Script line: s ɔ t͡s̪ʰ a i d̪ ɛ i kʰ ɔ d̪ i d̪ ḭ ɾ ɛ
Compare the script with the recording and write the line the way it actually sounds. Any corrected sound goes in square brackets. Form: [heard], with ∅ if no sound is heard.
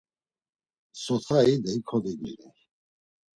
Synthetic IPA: s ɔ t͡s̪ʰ a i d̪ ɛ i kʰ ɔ d̪ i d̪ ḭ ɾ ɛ